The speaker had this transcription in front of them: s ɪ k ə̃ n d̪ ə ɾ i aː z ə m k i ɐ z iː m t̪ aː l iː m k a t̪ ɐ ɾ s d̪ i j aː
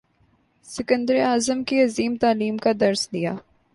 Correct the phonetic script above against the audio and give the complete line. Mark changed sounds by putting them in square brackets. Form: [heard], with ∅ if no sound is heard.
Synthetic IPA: s ɪ k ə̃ n d̪ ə ɾ i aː z ə m k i ɐ z iː m t̪ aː l iː m k a [d̪] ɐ ɾ s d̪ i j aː